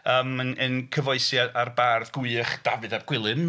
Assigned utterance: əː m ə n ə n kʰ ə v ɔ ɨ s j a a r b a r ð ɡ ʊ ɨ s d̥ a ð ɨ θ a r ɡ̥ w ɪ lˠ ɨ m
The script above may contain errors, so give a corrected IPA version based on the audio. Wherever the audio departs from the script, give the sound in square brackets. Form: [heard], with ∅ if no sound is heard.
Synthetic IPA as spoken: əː m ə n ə n kʰ ə v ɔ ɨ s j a a r b a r ð ɡ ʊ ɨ [χ] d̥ a [v] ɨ [ð] a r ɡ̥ w ɪ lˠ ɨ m